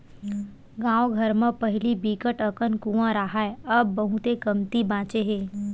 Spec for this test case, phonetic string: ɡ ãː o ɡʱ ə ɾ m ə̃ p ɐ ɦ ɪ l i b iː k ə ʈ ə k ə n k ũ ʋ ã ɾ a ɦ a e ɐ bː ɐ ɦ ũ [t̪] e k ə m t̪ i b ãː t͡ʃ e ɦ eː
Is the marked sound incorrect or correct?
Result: correct